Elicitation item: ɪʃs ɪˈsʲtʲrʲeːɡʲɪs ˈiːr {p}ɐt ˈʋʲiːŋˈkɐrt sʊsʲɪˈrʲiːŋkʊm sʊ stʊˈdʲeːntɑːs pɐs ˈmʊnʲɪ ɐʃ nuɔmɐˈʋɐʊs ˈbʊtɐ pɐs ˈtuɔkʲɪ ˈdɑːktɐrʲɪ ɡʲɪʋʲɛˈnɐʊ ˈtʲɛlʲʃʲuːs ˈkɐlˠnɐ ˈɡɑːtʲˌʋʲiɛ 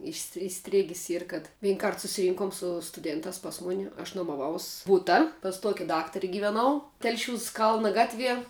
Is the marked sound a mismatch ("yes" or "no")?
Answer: yes